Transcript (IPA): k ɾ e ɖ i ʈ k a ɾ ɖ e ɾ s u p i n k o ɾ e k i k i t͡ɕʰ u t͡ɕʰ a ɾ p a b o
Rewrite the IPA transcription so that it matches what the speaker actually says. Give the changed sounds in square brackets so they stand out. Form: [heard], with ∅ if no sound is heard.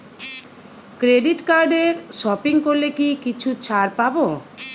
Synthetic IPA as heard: k ɾ e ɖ i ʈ k a ɾ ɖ e ɾ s [ɔ] p i [ŋ] k o [l] e k i k i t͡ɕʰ u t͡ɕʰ a ɾ p a b o